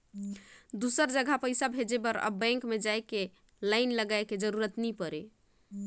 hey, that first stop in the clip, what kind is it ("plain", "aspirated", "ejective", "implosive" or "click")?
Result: plain